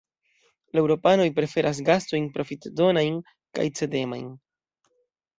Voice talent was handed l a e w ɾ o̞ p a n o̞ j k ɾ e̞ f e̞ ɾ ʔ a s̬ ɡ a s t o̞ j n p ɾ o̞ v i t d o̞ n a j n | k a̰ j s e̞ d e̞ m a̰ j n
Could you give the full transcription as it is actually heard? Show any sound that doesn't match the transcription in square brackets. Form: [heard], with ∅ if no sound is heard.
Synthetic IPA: l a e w ɾ o̞ p a n o̞ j [p] ɾ e̞ f e̞ ɾ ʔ a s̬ ɡ a s t o̞ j n p ɾ o̞ [f] i t d o̞ n a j n | k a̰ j [t͡s] e̞ d e̞ m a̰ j n